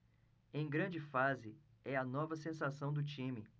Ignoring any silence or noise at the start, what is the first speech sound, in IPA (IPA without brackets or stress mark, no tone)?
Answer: ẽ